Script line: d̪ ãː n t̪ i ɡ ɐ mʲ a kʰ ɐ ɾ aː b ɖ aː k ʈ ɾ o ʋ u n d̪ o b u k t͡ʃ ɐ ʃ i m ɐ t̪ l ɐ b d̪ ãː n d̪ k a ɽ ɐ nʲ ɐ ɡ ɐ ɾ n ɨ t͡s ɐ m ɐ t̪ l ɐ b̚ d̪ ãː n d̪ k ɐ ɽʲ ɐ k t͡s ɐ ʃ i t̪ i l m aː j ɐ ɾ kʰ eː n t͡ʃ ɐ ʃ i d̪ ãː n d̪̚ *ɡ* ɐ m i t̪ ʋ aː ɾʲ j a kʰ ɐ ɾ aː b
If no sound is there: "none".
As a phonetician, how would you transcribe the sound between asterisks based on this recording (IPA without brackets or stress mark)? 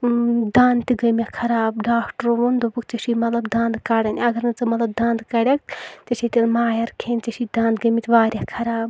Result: ɡ